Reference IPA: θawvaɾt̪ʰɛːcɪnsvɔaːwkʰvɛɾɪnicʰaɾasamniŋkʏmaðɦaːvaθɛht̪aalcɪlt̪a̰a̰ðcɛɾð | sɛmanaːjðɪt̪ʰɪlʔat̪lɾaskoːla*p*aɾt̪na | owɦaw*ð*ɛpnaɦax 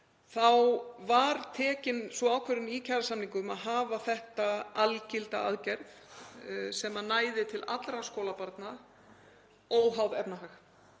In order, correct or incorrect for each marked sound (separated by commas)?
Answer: correct, correct